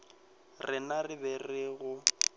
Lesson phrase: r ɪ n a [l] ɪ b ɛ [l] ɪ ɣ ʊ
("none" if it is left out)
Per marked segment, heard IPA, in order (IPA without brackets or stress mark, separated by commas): r, r